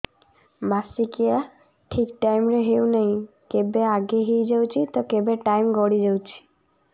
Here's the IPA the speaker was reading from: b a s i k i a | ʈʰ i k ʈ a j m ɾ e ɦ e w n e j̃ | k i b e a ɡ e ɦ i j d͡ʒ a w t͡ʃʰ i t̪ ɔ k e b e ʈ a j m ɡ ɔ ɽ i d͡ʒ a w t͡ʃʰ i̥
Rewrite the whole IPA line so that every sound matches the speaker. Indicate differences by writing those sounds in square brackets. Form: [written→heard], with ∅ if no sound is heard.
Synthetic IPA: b a s i k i a | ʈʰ i k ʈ a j m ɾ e ɦ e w n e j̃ | k [i→e] b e a ɡ e ɦ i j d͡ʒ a w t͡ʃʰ i t̪ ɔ k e b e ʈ a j m ɡ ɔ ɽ i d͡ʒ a w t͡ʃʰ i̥